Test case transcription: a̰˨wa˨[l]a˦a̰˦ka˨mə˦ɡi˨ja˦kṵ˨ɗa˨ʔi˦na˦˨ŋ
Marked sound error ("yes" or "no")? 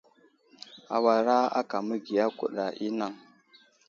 yes